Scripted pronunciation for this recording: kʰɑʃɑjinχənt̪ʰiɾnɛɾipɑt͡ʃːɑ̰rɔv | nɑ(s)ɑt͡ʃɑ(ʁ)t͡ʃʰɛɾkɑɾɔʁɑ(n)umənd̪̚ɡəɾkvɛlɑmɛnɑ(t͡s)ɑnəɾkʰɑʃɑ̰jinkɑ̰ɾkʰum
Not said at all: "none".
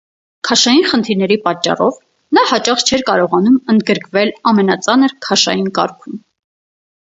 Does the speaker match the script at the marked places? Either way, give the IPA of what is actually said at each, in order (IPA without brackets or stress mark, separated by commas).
h, χ, n, t͡s